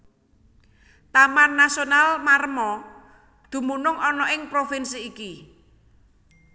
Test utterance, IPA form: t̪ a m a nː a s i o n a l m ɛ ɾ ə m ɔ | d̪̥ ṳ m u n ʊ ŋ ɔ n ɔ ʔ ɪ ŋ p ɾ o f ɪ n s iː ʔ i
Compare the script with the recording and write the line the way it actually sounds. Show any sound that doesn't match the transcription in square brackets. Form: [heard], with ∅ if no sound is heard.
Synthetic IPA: t̪ a m a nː a s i o n a l m [a] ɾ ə m ɔ | d̪̥ ṳ m u n ʊ ŋ ɔ n ɔ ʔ ɪ ŋ p ɾ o f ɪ n s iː [k] i